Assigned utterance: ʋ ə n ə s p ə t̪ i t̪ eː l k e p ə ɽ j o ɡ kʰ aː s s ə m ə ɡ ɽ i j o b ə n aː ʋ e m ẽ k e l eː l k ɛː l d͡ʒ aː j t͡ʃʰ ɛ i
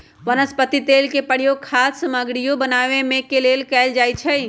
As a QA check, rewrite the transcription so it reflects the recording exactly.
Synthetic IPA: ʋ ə n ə s p ə t̪ i t̪ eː l k e p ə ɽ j o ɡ kʰ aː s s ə m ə ɡ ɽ i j o b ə n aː ʋ e m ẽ k e l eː l k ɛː l d͡ʒ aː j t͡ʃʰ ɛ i